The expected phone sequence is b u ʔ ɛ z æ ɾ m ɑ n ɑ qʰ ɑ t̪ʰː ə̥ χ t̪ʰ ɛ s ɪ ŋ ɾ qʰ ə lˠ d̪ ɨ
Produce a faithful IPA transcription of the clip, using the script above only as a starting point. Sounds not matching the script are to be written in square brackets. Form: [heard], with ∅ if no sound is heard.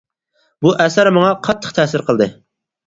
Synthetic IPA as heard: b u ʔ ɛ [s] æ ɾ m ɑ [ŋ] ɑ qʰ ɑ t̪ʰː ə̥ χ t̪ʰ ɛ s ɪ [∅] ɾ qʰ ə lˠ d̪ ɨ